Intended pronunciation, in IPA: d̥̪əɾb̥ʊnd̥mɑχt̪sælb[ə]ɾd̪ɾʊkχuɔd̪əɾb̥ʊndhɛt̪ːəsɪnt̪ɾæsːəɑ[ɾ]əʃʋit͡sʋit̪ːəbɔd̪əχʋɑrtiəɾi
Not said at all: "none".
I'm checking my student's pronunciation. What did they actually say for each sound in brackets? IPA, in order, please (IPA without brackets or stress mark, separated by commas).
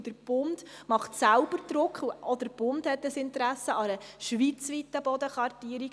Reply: ə, ɾ